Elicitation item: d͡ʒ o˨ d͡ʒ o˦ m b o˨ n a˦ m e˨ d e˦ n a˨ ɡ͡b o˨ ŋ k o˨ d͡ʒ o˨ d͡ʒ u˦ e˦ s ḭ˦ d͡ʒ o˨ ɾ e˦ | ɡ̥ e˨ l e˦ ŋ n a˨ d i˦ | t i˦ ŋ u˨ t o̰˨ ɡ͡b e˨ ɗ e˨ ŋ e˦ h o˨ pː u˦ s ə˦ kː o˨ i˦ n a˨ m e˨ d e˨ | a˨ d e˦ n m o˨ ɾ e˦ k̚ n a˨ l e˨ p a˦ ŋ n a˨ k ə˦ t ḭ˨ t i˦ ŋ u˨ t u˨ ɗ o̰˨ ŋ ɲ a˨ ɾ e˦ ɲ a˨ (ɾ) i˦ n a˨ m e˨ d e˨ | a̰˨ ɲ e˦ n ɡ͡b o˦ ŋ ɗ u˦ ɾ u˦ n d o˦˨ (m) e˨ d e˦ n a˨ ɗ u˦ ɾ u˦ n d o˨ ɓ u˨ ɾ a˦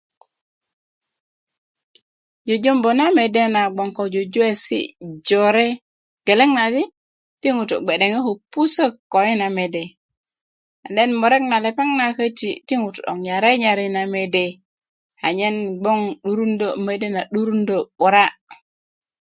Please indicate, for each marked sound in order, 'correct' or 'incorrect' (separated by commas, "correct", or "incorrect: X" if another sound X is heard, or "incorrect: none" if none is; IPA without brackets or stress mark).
correct, correct